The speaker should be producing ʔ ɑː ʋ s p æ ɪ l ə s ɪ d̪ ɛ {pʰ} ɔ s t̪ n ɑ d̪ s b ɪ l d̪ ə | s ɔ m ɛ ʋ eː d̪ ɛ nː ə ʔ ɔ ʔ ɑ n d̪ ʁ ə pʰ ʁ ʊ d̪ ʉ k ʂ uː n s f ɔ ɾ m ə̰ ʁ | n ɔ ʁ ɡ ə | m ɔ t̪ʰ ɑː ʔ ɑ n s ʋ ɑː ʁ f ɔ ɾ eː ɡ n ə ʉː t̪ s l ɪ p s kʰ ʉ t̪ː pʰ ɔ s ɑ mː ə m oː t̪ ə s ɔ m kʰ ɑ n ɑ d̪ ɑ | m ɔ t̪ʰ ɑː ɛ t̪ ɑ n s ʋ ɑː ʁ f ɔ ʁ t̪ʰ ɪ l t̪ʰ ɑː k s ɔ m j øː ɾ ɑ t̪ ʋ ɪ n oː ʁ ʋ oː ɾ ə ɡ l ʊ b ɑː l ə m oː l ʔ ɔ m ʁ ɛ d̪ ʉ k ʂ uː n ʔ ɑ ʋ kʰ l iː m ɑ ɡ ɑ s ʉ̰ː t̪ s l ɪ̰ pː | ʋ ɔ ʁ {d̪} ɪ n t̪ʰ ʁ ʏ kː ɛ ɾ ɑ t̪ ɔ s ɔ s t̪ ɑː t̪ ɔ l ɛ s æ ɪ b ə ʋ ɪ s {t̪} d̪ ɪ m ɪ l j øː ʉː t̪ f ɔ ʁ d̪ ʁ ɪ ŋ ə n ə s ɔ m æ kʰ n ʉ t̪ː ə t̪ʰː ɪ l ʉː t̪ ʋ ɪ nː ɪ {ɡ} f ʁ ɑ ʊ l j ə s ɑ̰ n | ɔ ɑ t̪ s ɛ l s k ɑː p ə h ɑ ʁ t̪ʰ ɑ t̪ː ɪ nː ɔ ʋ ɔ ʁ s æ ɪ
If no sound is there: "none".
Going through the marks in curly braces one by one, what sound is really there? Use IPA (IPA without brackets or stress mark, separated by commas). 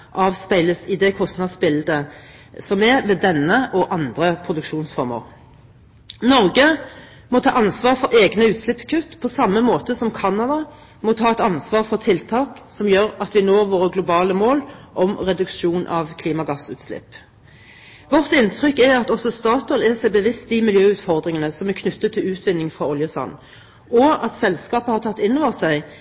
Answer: kʰ, t̪, t̪, ŋ